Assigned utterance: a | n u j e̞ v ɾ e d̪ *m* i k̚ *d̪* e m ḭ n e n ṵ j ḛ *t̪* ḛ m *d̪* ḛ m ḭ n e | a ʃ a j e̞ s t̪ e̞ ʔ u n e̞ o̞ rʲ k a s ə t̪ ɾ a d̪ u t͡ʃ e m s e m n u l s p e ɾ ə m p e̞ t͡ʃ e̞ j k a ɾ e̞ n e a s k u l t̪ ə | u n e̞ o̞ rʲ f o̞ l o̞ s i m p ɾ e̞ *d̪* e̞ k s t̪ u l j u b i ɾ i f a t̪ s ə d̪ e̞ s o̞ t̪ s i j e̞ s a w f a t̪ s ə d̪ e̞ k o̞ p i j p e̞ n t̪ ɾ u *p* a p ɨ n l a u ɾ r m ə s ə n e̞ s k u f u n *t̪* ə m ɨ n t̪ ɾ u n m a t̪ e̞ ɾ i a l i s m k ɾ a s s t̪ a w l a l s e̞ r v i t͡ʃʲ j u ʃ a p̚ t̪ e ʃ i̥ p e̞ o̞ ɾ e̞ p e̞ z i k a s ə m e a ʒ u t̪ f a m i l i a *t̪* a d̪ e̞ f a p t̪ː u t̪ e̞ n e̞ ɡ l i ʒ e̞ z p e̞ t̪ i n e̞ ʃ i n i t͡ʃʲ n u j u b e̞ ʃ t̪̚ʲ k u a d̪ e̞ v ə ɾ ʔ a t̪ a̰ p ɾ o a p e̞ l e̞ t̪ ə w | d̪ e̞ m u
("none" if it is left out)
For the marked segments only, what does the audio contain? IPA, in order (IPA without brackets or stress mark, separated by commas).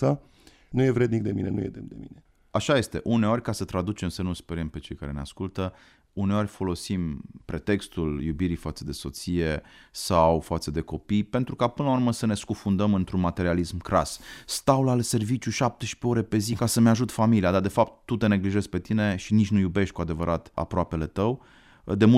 n, d̪, d̪, d̪, t̪, k, d̪, d̪